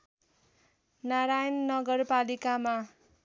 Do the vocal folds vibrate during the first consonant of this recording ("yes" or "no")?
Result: yes